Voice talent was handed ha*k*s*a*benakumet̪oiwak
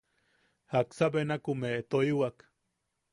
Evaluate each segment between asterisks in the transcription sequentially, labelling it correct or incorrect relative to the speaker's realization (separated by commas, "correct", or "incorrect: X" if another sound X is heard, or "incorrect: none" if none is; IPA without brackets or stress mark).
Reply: correct, correct